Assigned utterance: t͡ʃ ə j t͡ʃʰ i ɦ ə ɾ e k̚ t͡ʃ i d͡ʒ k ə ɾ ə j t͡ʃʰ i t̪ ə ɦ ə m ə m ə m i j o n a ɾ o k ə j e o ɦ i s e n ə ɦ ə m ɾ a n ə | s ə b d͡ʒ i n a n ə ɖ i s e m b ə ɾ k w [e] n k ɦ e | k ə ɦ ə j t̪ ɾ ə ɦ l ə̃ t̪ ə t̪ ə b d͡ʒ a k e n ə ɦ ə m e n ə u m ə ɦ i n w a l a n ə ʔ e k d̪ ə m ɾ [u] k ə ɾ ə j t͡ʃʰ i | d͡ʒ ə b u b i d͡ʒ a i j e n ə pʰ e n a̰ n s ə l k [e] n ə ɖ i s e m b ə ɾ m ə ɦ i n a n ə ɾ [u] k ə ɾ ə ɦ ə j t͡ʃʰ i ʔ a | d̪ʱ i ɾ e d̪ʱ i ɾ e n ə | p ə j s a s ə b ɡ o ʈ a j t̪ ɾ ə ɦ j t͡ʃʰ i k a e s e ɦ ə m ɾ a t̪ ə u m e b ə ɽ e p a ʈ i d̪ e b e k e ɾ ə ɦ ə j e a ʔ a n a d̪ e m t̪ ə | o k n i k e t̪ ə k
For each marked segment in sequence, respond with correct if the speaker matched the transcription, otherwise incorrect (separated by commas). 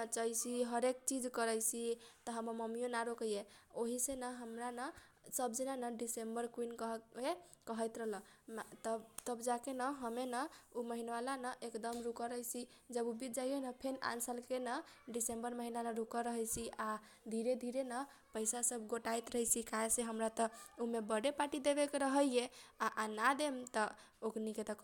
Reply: incorrect, correct, correct, correct